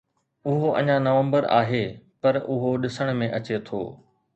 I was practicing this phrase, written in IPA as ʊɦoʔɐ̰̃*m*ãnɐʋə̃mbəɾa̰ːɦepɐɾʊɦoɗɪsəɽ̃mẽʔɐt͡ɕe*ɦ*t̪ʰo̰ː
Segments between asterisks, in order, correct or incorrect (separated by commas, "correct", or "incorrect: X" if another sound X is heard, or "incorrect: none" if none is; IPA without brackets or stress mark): incorrect: ɲ, incorrect: none